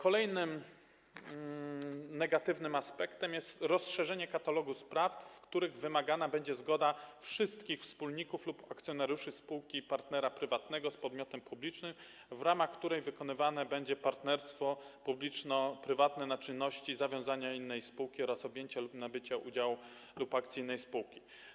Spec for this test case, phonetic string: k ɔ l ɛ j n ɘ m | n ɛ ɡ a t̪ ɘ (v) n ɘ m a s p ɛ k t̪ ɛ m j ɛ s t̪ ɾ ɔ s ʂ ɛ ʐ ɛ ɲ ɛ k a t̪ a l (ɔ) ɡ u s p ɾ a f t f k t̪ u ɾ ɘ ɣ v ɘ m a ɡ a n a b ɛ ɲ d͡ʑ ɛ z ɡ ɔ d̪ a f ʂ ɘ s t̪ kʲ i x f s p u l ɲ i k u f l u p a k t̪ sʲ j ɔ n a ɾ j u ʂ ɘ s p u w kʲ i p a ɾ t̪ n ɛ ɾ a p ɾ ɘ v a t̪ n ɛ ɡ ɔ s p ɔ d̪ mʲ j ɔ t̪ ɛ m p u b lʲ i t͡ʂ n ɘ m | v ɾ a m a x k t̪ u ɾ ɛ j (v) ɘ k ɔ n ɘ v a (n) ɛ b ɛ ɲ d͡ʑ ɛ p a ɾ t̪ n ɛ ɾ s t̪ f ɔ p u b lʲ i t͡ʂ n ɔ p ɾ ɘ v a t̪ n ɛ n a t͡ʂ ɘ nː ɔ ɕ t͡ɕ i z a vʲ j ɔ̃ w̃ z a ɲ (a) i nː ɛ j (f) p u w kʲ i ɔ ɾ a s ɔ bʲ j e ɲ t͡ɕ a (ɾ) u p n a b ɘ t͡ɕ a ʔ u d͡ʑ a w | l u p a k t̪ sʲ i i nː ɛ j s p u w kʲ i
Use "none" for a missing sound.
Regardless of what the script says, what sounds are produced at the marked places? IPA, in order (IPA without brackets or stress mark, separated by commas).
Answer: v, ɔ, v, n, a, s, l